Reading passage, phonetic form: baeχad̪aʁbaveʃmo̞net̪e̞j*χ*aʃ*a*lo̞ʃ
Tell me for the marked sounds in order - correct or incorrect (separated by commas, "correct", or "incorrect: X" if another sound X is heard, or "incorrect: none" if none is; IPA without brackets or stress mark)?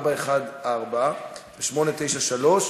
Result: incorrect: ʃ, correct